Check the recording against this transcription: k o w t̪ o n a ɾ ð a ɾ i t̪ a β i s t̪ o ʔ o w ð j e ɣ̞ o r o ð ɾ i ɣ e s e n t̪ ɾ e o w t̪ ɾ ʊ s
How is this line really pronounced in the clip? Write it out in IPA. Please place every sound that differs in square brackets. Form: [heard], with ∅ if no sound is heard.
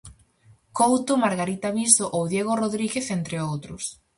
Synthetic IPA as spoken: k o w t̪ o [m] a ɾ [ɣ] a ɾ i t̪ a β i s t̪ o ʔ o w ð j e ɣ̞ o r o ð ɾ i ɣ e [θ] e n t̪ ɾ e o w t̪ ɾ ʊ s